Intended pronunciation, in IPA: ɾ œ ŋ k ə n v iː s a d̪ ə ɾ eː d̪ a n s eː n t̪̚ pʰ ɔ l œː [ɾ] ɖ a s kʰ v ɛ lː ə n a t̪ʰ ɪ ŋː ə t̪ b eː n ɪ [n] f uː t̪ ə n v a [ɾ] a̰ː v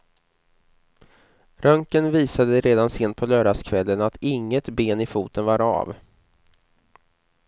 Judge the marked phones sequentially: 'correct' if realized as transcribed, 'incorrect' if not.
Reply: incorrect: none, incorrect: none, correct

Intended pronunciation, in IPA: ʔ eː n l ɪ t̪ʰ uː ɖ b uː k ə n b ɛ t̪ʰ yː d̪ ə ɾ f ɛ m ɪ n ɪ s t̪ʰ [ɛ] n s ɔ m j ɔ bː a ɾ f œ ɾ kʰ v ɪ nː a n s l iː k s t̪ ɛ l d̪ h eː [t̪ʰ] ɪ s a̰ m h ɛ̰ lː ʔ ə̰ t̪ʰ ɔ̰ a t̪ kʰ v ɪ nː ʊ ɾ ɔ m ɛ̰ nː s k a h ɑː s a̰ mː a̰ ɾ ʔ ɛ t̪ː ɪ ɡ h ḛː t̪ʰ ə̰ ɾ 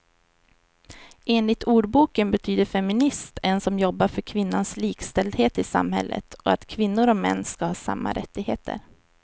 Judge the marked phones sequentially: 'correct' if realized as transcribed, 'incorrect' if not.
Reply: correct, incorrect: t̪

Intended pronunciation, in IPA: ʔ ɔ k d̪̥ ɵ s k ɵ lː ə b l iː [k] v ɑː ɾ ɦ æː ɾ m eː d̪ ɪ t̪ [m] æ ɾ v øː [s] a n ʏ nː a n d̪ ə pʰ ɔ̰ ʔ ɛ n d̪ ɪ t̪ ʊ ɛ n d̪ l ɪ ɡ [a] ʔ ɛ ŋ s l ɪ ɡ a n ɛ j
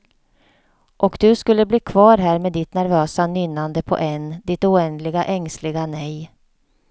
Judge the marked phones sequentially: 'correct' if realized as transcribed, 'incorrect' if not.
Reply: incorrect: kʰ, incorrect: n, correct, correct

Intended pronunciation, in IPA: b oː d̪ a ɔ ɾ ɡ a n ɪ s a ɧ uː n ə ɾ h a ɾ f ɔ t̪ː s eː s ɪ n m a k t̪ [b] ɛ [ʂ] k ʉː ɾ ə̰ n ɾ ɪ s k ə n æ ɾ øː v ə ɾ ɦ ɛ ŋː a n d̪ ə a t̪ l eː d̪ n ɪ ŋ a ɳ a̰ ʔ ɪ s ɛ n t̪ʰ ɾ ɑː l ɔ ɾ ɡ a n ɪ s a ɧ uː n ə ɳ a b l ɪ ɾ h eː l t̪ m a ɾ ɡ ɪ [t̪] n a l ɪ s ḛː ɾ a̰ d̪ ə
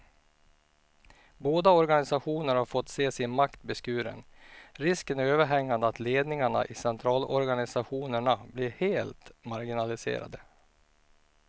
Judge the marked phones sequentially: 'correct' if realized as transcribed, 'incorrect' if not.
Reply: correct, incorrect: s, incorrect: none

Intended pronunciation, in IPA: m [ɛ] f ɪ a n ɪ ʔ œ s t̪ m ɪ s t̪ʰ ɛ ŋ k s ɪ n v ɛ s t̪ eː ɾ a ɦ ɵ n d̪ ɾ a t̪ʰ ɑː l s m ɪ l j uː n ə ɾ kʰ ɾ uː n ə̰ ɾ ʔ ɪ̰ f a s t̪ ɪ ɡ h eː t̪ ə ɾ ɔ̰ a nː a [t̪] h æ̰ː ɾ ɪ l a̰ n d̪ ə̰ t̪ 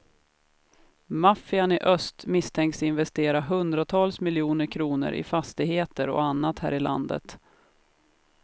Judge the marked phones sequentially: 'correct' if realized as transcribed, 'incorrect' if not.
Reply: incorrect: a, correct

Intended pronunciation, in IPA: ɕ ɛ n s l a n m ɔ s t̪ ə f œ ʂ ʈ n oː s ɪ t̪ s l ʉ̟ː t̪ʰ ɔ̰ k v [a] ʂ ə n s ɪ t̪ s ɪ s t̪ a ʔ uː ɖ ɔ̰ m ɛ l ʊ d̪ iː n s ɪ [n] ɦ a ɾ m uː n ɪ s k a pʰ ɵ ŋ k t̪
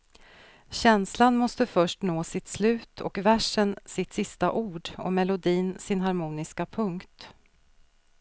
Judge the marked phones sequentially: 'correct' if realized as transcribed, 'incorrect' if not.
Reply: incorrect: æ, correct

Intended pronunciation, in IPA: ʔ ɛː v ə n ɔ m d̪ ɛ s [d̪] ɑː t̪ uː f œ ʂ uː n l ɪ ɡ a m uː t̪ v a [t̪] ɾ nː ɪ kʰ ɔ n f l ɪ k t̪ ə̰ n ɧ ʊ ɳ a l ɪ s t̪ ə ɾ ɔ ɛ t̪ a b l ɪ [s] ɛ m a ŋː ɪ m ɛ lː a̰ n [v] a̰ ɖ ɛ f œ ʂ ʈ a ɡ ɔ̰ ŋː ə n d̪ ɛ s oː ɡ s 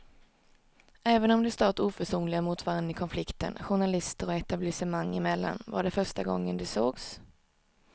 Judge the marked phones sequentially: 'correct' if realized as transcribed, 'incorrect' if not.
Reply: incorrect: t̪, incorrect: none, correct, correct

